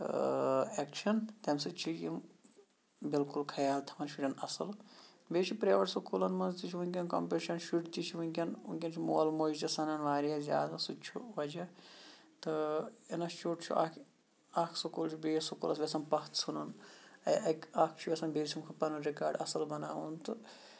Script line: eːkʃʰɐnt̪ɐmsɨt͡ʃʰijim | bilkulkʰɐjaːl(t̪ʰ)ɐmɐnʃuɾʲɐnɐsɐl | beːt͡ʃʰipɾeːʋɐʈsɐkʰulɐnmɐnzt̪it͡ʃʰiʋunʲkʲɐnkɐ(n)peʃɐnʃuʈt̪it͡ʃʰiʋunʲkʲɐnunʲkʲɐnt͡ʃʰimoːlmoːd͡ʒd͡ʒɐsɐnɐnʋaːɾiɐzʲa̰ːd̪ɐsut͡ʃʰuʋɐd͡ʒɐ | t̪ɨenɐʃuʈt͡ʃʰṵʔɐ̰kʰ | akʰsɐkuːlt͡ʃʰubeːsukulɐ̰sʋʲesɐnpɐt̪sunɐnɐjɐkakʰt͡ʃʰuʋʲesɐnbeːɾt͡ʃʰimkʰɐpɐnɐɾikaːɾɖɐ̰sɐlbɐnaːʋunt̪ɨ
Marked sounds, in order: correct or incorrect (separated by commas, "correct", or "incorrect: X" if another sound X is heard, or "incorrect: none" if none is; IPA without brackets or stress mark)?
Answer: correct, incorrect: m